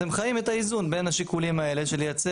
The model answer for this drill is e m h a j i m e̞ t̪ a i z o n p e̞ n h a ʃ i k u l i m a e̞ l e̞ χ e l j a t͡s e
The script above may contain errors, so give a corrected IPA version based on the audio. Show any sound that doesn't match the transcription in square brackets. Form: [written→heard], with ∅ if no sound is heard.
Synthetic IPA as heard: e m [h→χ] a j i m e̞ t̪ a i z [o→u] n [p→b] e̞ n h a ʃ i k u l i m a e̞ l e̞ [χ→ʃ] e l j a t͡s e